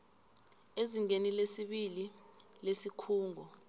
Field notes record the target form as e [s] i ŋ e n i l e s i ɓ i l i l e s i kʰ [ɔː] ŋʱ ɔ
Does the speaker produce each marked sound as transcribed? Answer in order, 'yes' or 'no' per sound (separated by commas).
no, no